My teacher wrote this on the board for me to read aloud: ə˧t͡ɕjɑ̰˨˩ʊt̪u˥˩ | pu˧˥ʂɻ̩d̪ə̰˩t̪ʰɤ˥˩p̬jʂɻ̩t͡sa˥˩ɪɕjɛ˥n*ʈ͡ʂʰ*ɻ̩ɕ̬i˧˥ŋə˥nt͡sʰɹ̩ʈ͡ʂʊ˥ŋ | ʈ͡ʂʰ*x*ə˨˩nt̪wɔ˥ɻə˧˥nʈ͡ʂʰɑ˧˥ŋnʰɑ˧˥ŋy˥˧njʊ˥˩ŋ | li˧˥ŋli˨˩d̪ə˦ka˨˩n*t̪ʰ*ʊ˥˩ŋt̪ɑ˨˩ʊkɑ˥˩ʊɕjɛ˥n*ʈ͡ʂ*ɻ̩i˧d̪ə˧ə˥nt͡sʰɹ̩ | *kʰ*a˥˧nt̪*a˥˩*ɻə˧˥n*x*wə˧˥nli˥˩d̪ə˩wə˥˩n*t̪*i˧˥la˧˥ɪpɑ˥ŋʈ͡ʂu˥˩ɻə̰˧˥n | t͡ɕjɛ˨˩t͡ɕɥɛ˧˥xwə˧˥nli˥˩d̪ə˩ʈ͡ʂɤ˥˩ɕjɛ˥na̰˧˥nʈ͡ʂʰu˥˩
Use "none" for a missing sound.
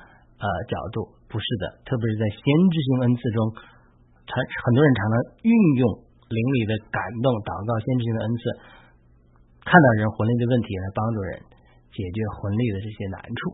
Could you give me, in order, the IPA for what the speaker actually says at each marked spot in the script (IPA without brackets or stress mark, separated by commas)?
ʈ͡ʂ, x, t̪, ʈ͡ʂ, kʰ, ɑ˥˩, x, t̪ʰ